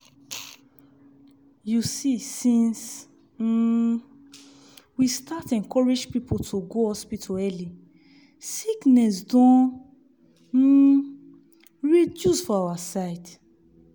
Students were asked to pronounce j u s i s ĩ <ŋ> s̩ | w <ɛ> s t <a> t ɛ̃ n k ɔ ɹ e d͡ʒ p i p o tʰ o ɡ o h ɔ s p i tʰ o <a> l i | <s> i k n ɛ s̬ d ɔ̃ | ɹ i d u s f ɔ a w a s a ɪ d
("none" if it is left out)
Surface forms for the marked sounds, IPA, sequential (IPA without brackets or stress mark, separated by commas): n, i, a, ɛ, s